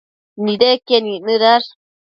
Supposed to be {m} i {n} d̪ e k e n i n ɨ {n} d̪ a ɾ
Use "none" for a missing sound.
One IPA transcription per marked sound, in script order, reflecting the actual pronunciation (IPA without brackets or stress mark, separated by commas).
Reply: n, none, none